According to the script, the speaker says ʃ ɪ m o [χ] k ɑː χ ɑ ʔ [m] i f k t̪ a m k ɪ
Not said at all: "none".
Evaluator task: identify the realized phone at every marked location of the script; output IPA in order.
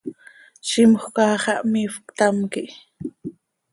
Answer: χ, m

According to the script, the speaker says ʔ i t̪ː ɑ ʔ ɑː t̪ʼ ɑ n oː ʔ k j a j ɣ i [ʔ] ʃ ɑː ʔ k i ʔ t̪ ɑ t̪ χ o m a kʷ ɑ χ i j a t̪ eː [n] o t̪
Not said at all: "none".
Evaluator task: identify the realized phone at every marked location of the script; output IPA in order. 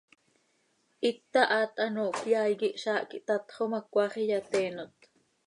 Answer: ʔ, n

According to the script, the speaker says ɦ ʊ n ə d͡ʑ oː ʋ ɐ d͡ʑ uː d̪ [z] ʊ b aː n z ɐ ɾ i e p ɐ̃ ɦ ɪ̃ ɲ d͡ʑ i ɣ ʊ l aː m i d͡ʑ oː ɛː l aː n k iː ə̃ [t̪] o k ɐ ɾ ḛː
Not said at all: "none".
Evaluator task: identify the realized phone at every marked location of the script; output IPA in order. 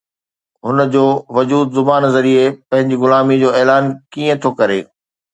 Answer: z, t̪ʰ

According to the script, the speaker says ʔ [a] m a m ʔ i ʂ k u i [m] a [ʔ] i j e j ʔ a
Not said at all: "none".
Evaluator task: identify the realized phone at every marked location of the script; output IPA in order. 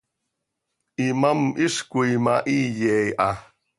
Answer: i, m, ʔ

